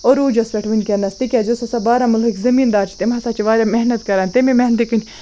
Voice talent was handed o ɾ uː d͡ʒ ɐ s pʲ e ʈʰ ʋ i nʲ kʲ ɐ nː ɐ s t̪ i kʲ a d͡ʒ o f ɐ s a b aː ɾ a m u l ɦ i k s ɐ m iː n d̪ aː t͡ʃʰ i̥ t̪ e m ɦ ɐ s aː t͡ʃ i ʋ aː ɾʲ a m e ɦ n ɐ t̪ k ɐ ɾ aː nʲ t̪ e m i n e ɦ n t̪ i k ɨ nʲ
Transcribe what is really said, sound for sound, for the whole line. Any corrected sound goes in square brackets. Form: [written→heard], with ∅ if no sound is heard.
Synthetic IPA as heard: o ɾ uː d͡ʒ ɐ s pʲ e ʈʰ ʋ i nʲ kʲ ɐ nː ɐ s t̪ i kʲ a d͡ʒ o [f→s] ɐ s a b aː ɾ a m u l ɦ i k [s→z] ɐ m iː n d̪ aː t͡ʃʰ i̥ t̪ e m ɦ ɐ s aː t͡ʃ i ʋ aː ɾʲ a m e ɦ n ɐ t̪ k ɐ ɾ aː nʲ t̪ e m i [n→m] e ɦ n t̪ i k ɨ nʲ